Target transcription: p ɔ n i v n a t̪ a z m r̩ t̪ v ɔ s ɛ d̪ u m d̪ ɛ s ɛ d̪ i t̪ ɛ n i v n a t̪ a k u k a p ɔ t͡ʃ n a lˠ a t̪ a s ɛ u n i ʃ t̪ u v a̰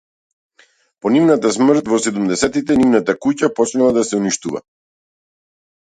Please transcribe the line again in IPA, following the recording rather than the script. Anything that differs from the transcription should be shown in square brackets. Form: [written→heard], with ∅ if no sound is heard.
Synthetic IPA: p ɔ n i v n a t̪ a [z→s] m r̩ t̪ v ɔ s ɛ d̪ u m d̪ ɛ s ɛ [d̪→t̪] i t̪ ɛ n i v n a t̪ a k u [k→c] a p ɔ t͡ʃ n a lˠ a [t̪→d̪] a s ɛ u n i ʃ t̪ u v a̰